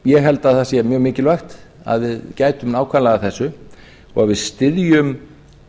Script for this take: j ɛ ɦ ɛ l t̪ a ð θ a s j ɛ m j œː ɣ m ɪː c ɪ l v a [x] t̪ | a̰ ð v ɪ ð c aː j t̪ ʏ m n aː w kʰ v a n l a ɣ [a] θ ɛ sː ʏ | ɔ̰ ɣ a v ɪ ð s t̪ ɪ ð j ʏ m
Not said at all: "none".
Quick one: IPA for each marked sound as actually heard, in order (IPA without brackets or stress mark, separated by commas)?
x, a